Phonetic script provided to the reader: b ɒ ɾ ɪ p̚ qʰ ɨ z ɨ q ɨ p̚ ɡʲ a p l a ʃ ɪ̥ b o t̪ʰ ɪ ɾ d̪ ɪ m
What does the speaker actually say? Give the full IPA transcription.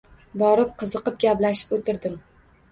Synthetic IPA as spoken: b ɒ ɾ ɪ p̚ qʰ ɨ z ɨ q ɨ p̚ ɡʲ a p l a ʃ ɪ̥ p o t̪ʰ ɪ ɾ d̪ ɪ m